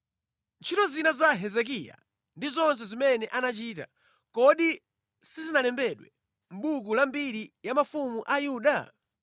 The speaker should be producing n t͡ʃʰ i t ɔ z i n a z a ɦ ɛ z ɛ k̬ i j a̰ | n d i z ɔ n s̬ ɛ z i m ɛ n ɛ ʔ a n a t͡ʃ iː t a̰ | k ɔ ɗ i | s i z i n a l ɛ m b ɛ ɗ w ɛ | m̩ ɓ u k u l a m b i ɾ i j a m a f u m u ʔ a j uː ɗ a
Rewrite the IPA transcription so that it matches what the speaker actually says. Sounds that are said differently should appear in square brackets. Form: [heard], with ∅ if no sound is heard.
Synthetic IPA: n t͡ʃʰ i t ɔ z i n a z a ɦ ɛ z ɛ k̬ i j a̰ | n d i z ɔ n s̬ ɛ z i m ɛ n ɛ ʔ a n a t͡ʃ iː t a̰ | k ɔ ɗ i | s i z i n a l ɛ m b ɛ ɗ w ɛ | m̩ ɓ u k u l a m b i ɾ i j a m a f u m u ʔ a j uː ɗ a